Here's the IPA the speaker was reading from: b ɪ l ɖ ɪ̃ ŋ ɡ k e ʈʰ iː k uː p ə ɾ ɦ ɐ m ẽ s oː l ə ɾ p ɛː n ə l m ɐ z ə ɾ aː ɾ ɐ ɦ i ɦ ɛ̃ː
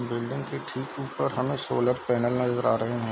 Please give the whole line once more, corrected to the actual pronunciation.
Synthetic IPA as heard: b ɪ l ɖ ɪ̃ ŋ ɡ k e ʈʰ iː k uː p ə ɾ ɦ ɐ m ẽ s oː l ə ɾ p ɛː n ə l n ɐ z ə ɾ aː ɾ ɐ ɦ e ɦ ɛ̃ː